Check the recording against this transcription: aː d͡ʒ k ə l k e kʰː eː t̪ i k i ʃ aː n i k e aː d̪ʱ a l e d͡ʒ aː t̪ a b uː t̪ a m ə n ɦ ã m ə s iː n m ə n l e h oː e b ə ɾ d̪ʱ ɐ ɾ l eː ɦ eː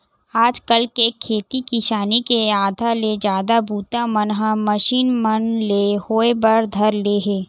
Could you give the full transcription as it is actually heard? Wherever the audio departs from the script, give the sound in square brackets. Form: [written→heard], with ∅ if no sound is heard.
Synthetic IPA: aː d͡ʒ k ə l k e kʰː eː t̪ i k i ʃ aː n i k e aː d̪ʱ a l e d͡ʒ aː [t̪→d̪] a b uː t̪ a m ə n ɦ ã m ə [s→ʃ] iː n m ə n l e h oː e b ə ɾ d̪ʱ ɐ ɾ l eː ɦ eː